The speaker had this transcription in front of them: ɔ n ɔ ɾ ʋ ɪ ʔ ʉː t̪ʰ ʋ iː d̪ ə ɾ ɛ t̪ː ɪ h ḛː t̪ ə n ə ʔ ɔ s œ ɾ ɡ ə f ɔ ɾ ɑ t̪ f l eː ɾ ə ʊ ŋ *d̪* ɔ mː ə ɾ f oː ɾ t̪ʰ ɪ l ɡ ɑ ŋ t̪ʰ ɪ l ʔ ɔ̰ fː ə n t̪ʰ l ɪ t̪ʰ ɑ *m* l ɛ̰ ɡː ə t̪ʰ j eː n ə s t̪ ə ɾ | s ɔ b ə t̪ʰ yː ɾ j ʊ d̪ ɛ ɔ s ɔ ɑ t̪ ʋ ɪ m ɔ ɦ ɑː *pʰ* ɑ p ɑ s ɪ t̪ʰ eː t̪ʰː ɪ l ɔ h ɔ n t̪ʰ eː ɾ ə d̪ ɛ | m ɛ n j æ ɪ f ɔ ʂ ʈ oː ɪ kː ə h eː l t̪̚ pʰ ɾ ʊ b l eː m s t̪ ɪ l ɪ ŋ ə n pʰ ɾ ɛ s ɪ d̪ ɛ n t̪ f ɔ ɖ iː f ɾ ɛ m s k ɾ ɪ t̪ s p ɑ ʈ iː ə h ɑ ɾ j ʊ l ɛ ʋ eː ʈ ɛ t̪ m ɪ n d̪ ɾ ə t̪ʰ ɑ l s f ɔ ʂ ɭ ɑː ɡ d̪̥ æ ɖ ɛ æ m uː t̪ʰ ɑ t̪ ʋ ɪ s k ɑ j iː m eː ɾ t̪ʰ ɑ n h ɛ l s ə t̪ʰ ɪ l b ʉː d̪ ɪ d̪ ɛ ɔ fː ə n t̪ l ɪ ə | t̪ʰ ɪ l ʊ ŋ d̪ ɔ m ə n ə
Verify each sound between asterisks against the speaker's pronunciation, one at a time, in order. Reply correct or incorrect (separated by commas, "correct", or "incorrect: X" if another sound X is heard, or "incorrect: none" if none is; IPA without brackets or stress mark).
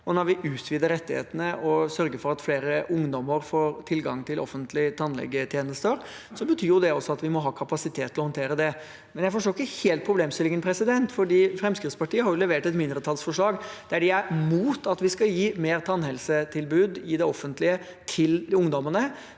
correct, incorrect: n, incorrect: kʰ